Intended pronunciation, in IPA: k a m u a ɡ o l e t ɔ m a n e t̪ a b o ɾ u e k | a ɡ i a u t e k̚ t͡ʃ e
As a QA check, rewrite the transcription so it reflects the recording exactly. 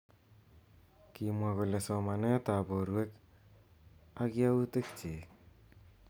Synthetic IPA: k i m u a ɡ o l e s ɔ m a n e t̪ a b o ɾ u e k | a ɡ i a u t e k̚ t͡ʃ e